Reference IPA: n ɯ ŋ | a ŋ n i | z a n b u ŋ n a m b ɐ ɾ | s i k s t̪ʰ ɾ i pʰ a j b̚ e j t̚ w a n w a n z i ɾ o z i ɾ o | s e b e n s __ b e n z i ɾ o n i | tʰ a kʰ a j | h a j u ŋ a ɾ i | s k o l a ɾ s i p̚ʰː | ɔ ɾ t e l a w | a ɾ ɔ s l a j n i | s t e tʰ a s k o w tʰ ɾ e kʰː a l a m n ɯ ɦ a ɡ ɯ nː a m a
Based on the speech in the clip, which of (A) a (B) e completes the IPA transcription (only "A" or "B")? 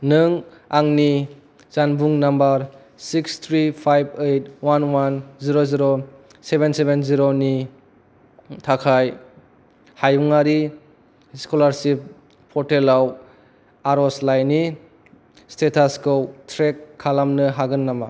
B